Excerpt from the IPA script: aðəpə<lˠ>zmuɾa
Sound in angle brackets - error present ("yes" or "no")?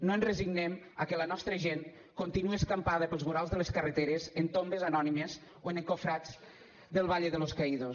no